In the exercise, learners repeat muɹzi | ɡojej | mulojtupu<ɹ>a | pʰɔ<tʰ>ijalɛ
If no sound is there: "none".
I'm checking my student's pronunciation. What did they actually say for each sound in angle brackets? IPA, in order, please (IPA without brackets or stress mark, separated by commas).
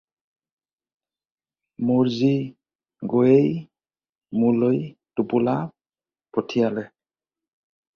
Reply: l, tʰ